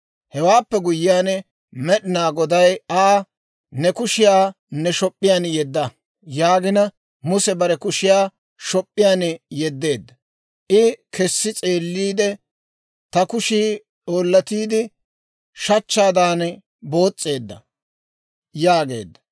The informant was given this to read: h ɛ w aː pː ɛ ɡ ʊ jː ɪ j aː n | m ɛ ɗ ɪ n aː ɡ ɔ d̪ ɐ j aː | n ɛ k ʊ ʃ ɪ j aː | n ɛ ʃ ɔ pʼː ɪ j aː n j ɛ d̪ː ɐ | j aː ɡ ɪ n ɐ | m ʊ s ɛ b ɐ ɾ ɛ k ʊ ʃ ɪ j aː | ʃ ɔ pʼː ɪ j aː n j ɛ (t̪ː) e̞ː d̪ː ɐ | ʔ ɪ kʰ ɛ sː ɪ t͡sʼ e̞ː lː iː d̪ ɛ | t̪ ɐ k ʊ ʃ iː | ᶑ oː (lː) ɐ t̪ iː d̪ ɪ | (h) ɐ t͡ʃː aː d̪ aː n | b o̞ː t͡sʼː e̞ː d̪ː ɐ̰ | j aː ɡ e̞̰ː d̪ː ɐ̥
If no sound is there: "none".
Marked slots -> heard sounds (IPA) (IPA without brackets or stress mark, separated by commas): d̪ː, lː, ʃ